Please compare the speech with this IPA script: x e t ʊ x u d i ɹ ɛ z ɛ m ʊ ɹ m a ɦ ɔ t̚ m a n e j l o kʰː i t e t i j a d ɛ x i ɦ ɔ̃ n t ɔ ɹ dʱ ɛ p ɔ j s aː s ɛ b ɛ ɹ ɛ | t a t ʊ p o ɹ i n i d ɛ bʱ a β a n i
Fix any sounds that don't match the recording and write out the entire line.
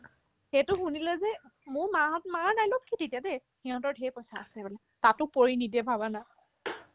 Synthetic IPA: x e t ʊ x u n i l ɛ z ɛ m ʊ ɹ m a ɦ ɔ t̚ m a n a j l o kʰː i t e t i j a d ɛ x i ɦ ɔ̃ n t ɔ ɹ dʱ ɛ p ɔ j s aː s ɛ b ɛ l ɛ | t a t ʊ p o ɹ i n i d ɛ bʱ a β a n a